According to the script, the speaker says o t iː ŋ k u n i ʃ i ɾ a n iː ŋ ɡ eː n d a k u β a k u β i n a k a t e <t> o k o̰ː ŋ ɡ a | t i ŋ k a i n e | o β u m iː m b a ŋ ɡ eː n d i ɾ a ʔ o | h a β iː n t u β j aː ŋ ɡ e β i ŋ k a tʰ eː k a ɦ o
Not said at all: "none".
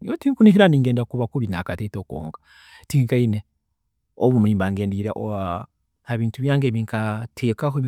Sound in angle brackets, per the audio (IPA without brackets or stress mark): t